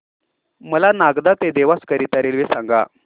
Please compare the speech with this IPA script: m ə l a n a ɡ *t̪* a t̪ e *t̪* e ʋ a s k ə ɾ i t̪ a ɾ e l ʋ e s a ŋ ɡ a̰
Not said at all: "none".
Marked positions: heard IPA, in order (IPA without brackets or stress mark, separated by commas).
d̪, d̪